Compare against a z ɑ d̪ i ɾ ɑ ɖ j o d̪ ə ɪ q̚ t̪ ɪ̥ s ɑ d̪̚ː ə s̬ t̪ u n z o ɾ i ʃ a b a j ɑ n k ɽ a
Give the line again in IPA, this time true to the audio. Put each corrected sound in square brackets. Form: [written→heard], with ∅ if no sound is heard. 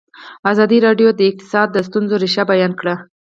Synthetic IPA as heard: a z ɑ d̪ i ɾ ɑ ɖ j o d̪ ə ɪ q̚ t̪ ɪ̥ s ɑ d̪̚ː ə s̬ t̪ u n z o ɾ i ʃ a b a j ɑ n k ɽ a